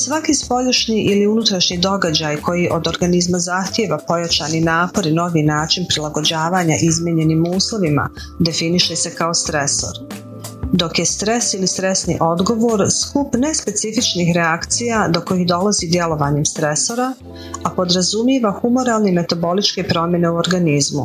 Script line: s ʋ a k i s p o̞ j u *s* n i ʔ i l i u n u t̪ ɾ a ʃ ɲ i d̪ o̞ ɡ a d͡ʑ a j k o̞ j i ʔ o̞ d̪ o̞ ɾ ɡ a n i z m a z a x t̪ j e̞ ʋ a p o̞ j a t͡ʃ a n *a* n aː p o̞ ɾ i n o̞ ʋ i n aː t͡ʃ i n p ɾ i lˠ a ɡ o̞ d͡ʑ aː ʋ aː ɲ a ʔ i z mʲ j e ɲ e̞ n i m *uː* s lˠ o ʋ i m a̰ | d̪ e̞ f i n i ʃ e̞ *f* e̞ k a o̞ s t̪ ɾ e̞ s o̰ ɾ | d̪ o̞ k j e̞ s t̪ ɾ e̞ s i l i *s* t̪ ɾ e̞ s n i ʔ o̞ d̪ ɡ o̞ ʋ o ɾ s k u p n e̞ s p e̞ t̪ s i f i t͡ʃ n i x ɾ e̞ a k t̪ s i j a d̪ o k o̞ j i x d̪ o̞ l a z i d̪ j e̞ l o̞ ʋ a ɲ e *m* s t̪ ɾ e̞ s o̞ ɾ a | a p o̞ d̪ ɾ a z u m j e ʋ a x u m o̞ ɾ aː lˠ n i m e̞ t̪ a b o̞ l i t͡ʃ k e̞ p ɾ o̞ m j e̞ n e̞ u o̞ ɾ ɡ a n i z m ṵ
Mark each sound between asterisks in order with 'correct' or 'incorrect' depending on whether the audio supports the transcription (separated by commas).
incorrect, incorrect, correct, incorrect, correct, correct